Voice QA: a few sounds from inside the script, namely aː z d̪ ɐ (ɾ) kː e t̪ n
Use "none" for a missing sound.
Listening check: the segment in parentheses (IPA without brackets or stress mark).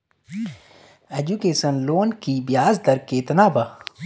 ɾ